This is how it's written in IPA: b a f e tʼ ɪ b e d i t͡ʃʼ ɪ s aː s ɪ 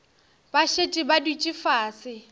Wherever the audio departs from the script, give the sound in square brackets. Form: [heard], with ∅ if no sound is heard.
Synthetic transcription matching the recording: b a [ʃ] e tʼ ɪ b [a] d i t͡ʃʼ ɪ [f] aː s ɪ